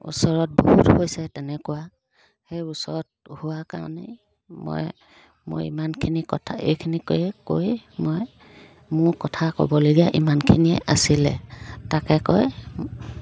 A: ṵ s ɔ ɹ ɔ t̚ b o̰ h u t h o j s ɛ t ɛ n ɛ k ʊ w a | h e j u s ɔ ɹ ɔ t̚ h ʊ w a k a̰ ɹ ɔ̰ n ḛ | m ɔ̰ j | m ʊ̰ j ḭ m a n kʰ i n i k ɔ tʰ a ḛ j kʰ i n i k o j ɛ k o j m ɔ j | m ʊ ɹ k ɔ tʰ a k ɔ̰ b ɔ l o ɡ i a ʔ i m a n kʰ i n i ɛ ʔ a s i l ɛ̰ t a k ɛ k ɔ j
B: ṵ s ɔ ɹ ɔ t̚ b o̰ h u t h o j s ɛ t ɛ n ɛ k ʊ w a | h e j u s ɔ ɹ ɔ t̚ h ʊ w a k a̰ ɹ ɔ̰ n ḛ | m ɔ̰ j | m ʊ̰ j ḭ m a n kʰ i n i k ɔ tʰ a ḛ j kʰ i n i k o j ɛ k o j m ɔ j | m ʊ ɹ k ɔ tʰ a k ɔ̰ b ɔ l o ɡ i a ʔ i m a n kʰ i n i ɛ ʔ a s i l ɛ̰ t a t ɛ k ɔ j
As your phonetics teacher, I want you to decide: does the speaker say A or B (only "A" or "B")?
A